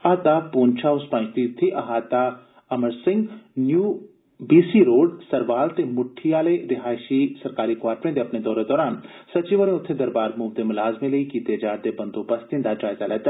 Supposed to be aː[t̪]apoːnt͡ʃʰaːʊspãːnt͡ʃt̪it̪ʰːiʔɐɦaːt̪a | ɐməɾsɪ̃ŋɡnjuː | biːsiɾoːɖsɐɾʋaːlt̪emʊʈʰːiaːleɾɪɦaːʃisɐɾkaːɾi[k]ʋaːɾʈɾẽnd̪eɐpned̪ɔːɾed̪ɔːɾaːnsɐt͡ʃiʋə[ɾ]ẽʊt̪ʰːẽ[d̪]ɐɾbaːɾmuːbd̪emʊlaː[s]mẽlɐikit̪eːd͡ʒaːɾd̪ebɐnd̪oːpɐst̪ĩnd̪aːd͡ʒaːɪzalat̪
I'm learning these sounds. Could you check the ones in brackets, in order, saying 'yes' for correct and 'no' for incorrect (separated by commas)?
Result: yes, yes, yes, yes, no